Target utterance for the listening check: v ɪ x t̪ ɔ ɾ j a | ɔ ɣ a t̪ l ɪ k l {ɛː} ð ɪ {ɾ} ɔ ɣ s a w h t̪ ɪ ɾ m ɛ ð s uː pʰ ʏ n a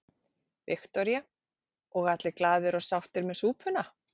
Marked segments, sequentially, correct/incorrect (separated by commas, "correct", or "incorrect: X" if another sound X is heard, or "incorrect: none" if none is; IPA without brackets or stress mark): incorrect: aː, correct